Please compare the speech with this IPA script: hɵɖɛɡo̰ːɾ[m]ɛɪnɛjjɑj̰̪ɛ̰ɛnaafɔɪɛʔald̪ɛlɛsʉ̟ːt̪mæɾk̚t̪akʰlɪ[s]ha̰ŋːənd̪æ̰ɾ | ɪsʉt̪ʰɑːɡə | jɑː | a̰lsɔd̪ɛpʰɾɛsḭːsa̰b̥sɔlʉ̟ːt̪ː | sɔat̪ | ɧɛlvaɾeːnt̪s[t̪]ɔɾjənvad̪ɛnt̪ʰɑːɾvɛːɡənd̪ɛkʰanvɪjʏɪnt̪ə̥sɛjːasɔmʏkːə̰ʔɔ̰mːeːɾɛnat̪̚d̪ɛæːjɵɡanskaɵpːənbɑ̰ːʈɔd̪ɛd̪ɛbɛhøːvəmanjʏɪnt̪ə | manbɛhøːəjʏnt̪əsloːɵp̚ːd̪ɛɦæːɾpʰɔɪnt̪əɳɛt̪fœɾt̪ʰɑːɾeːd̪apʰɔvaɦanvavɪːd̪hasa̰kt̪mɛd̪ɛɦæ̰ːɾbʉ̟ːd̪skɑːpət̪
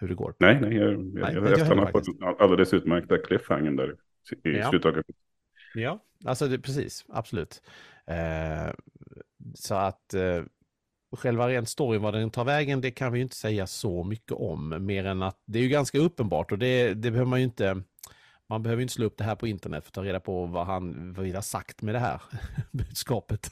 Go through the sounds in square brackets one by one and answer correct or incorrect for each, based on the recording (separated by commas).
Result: incorrect, incorrect, correct